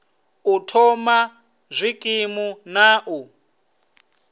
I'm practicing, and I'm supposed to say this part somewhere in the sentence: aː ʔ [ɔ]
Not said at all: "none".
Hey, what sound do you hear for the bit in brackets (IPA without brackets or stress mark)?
u